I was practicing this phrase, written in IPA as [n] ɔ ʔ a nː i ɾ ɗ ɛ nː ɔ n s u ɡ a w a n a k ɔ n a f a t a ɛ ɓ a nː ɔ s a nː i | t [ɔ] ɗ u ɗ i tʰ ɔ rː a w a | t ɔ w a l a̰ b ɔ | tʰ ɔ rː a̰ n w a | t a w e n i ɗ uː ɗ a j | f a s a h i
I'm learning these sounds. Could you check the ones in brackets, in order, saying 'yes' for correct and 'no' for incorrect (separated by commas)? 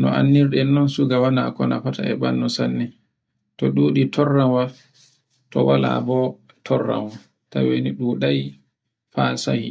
yes, yes